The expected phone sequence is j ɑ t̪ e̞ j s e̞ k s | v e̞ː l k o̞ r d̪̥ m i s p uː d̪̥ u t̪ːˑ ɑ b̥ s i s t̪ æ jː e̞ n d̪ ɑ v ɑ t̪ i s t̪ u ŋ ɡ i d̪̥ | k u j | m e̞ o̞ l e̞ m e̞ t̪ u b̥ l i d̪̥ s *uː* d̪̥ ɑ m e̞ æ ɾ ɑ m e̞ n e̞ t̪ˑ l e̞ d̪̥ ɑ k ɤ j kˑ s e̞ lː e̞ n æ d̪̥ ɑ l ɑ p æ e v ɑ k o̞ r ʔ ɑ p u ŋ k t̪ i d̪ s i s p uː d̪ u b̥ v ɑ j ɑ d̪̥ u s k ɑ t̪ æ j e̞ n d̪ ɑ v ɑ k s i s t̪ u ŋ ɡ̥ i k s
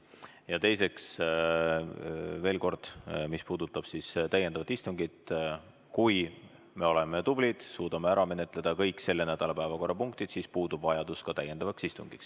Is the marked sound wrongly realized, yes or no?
no